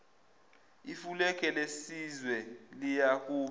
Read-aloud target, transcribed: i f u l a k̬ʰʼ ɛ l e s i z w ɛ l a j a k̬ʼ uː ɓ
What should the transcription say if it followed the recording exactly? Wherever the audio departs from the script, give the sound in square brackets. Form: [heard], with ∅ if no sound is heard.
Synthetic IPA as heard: i f u l [ɛ] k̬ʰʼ ɛ l e s i z w ɛ l [i] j a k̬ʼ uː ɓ